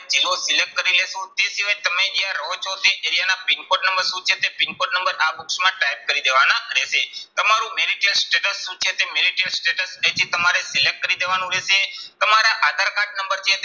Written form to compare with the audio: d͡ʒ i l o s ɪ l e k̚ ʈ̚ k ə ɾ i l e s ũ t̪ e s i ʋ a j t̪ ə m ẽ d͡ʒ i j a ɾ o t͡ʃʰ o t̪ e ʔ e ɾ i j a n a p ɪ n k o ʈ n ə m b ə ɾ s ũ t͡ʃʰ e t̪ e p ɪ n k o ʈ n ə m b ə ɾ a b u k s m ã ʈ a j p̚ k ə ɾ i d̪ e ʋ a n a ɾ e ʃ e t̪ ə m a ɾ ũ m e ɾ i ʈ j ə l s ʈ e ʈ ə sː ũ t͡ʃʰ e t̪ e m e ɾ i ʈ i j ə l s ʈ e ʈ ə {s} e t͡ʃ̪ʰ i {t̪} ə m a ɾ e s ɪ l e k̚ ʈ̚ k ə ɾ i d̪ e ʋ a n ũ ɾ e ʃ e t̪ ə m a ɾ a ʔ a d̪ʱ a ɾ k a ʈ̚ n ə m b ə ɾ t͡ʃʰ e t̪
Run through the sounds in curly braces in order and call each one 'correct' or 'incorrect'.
correct, correct

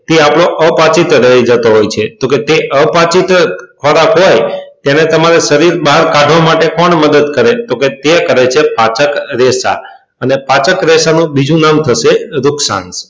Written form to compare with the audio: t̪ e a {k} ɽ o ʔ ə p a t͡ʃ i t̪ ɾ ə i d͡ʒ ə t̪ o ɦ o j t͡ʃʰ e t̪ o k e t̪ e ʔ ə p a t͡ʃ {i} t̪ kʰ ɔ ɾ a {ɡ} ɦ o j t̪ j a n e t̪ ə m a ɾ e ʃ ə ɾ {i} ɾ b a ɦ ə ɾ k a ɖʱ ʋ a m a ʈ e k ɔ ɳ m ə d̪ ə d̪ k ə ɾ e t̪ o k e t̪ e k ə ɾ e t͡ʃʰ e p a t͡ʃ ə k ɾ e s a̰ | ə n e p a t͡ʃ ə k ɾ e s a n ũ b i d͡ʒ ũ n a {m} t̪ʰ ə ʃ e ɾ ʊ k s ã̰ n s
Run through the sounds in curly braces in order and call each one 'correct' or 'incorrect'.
incorrect: p, correct, incorrect: k, correct, correct

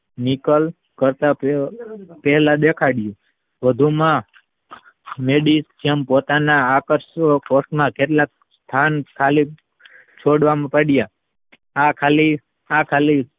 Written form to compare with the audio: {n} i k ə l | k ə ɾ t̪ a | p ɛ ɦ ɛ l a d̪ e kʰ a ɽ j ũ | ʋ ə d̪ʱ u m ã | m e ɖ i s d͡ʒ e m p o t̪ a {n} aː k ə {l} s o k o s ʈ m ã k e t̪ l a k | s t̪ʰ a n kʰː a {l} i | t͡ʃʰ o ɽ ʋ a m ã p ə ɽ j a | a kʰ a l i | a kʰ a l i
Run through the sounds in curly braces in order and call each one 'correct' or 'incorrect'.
correct, correct, incorrect: ɾ, correct

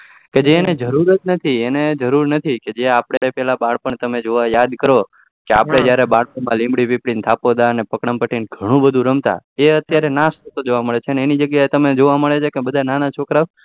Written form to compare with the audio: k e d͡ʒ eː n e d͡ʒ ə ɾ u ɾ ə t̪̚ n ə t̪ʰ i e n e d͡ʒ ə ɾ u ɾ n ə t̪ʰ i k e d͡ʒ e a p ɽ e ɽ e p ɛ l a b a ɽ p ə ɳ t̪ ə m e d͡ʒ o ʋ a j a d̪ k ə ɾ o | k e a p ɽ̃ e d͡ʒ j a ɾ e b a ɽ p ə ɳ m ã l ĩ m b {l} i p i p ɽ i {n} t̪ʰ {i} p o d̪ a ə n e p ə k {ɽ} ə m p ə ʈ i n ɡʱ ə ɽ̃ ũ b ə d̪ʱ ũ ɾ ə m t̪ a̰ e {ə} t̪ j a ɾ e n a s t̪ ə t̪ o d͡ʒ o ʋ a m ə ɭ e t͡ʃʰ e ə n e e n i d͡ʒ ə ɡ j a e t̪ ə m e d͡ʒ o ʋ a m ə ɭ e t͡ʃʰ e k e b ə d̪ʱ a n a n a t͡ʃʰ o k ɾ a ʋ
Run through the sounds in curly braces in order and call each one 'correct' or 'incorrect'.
incorrect: ɽ, correct, incorrect: a, correct, correct

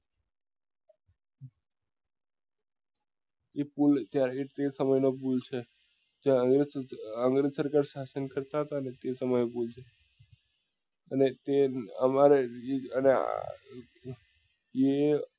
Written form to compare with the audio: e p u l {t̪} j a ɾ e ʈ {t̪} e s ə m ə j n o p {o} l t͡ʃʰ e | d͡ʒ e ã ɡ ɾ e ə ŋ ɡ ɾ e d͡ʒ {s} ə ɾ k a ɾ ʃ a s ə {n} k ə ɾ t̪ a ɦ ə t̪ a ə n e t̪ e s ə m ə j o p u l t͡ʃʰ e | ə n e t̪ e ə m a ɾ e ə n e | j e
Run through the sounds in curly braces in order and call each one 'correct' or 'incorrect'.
correct, correct, incorrect: u, correct, correct

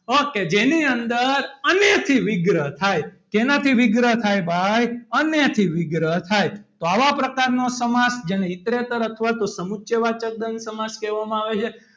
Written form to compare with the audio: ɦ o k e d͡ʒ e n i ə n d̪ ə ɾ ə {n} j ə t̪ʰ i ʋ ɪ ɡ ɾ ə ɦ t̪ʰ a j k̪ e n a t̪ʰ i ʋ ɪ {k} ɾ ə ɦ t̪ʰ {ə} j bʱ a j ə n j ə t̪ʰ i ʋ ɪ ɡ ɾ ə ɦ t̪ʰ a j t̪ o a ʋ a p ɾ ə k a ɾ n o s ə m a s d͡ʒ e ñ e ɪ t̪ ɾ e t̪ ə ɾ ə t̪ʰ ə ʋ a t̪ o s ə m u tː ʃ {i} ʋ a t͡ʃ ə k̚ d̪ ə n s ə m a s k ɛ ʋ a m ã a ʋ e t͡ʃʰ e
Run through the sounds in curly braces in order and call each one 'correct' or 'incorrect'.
correct, incorrect: ɡ, incorrect: a, incorrect: e

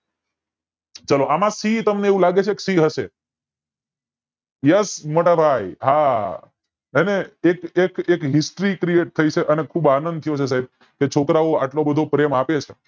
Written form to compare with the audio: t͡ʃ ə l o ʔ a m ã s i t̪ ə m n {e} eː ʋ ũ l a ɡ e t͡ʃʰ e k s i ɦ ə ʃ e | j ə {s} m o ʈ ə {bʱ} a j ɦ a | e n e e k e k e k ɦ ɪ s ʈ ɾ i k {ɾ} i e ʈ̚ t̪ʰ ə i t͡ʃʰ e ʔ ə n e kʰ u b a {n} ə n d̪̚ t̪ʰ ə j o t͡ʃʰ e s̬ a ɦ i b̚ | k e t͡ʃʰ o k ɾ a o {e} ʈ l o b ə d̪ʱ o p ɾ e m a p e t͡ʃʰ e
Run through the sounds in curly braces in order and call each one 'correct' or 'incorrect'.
correct, correct, correct, correct, correct, incorrect: a

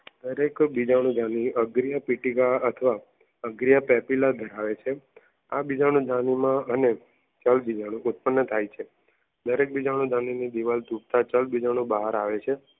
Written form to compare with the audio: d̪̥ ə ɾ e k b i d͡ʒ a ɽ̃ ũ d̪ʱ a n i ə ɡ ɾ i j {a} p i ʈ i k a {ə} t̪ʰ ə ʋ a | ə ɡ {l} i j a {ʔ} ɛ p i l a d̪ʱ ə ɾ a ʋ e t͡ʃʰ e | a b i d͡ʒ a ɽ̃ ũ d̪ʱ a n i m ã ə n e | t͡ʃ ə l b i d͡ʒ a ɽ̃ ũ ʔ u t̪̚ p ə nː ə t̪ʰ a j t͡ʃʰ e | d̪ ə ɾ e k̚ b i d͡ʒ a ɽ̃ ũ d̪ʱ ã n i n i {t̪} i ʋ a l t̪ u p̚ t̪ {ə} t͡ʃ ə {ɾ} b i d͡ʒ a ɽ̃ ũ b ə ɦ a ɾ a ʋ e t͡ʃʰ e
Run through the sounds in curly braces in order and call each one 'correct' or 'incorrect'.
correct, correct, incorrect: ɾ, incorrect: p, incorrect: d̪, incorrect: a, incorrect: l

